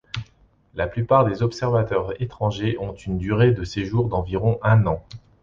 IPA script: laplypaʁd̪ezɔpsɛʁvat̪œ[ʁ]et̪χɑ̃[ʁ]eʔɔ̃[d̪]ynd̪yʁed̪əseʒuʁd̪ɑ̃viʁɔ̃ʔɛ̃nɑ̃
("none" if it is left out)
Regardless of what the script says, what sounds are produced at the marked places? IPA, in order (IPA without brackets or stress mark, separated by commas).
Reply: ʁ, ʒ, t̪